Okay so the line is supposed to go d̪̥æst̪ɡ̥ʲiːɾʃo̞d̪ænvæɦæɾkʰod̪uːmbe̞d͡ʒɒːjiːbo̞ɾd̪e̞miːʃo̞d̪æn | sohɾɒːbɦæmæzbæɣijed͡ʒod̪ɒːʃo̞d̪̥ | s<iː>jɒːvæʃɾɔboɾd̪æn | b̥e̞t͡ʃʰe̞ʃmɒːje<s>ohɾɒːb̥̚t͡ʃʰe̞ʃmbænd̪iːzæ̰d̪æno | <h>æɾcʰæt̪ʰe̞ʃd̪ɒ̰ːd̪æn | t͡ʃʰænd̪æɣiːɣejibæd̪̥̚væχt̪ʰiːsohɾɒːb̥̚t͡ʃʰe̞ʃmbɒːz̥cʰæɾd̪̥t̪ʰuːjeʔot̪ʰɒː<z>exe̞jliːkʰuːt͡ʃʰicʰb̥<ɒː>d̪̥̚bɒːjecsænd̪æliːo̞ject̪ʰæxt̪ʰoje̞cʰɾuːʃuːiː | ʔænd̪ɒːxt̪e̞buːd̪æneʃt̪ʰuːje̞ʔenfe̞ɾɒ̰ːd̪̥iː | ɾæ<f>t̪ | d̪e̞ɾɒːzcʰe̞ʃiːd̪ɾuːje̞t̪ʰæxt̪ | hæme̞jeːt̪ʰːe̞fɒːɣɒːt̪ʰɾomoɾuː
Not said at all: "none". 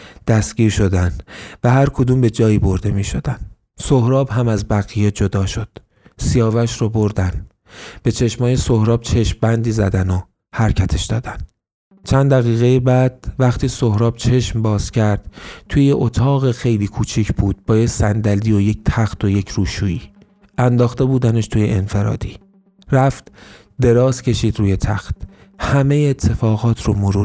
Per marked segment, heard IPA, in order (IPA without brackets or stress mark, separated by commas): i, s, h, ɣ, uː, f